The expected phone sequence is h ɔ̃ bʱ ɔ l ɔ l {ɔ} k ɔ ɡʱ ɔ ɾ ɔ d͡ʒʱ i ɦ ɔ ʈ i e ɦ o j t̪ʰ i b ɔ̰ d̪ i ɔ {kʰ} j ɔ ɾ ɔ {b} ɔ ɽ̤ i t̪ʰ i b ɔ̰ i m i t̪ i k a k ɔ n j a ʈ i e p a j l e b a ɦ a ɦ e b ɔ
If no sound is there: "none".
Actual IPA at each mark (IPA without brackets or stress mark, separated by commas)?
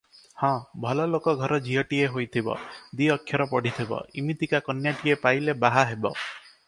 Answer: o, kʰ, p